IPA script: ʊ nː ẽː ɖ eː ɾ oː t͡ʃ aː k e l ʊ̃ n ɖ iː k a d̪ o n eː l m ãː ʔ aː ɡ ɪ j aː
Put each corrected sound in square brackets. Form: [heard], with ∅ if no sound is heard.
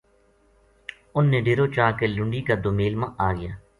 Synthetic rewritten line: ʊ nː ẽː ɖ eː ɾ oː t͡ʃ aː k e l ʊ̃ [ɳ] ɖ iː k a d̪ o [m] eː l m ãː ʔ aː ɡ ɪ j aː

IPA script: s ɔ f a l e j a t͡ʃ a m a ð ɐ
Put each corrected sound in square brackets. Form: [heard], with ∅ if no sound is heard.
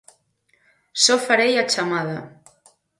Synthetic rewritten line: s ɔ f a [ɾ] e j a t͡ʃ a m a ð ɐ

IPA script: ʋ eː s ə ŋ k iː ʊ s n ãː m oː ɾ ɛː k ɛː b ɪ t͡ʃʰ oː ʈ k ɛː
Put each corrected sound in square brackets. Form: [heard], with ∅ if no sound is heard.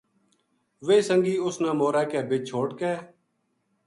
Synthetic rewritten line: ʋ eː s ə ŋ [ɡ] iː ʊ s n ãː m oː ɾ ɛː k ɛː b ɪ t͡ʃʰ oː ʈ k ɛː

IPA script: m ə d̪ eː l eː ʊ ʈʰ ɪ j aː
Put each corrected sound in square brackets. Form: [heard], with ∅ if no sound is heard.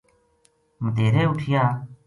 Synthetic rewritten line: m ə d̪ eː [ɾ] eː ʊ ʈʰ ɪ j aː

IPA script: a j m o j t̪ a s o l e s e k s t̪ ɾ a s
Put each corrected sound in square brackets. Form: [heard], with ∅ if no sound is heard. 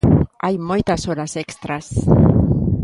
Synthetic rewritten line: a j m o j t̪ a s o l [a] s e k s t̪ ɾ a s

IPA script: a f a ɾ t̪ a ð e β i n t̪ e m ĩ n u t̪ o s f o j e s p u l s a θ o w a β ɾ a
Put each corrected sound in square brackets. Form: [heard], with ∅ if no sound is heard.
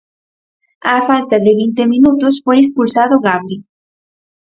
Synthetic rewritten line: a f a [l] t̪ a ð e β i n t̪ e m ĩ n u t̪ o s f o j e s p u l s a [ð] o [ɣ] a β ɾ [i]

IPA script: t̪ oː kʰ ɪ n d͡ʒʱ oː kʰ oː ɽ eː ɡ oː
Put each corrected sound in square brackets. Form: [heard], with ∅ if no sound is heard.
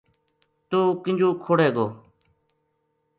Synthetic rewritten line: t̪ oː [k] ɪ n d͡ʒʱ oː kʰ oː ɽ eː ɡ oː

